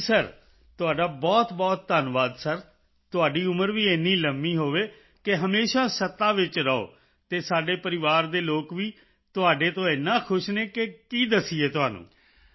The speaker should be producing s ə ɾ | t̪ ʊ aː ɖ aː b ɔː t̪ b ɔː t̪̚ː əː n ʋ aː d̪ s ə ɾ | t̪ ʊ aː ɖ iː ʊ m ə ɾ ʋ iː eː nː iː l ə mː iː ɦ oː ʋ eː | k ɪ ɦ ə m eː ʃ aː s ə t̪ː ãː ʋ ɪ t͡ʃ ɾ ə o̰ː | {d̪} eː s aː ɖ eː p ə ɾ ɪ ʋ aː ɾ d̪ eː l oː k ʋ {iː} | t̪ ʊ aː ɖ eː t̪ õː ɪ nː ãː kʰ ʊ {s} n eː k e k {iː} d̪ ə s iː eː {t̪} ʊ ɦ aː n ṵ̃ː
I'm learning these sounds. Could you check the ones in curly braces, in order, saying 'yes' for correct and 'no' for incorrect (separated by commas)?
no, yes, no, yes, yes